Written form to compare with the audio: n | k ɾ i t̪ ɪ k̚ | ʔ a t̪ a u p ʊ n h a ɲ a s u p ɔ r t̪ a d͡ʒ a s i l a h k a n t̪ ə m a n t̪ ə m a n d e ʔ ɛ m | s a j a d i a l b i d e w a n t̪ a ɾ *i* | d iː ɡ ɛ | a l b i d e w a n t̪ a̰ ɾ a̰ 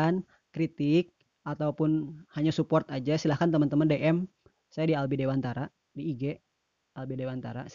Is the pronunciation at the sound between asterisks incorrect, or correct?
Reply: incorrect